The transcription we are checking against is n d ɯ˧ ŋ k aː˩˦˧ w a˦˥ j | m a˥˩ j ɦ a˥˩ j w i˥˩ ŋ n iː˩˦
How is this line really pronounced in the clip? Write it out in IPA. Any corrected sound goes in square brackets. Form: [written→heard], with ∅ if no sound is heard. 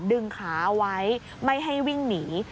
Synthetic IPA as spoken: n d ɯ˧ ŋ [k→kʰ] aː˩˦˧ w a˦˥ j | m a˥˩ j ɦ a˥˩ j w i˥˩ ŋ n iː˩˦